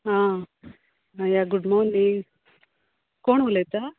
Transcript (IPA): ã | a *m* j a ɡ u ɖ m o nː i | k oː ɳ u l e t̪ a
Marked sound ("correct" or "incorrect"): incorrect